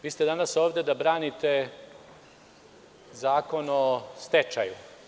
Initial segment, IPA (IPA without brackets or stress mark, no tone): ʋ